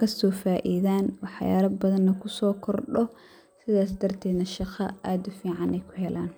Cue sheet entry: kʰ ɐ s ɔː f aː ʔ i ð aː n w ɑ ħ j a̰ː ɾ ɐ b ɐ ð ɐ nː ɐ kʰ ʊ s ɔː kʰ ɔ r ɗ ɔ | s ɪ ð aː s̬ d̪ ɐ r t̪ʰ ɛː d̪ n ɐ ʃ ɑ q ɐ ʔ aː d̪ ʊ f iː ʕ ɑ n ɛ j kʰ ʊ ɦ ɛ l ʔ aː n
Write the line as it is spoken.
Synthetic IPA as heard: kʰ ɐ s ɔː f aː ʔ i ð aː n w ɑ ħ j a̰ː ɾ ɐ b ɐ ð ɐ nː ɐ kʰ ʊ s ɔː kʰ ɔ r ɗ ɔ | s ɪ ð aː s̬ d̪ ɐ r t̪ʰ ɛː d̪ n ɐ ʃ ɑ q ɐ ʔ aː d̪ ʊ f iː ʕ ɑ n ɛ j kʰ ʊ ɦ ɛ l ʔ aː n